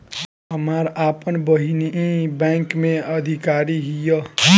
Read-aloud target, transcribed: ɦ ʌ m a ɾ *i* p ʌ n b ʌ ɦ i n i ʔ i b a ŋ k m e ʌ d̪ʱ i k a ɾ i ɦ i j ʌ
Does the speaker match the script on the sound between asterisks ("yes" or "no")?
no